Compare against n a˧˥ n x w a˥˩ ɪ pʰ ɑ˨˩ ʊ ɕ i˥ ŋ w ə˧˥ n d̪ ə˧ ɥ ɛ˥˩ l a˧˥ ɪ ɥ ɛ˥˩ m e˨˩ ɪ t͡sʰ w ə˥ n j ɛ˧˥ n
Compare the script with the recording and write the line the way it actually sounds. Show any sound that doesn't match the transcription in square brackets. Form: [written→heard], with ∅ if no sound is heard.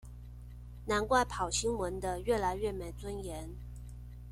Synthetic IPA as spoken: n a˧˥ n [x→k] w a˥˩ ɪ pʰ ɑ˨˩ ʊ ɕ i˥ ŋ w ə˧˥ n d̪ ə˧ ɥ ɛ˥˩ l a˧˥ ɪ ɥ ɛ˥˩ m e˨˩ ɪ [t͡sʰ→t͡s] w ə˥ n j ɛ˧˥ n